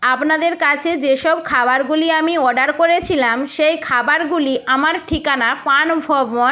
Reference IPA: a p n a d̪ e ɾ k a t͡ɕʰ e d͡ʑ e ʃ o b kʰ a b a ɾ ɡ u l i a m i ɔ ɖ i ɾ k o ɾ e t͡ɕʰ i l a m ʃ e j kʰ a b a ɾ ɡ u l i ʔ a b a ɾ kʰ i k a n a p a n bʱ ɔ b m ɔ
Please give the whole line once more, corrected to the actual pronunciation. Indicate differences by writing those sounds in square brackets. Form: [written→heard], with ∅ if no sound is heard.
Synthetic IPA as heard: a p n a d̪ e ɾ k a t͡ɕʰ e d͡ʑ e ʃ [o→ɔ] b kʰ a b a ɾ ɡ u l i a m i ɔ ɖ [i→a] ɾ k o ɾ e t͡ɕʰ i l a m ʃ e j kʰ a b a ɾ ɡ u l i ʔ a [b→m] a ɾ [kʰ→ʈʰ] i k a n a p a n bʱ ɔ b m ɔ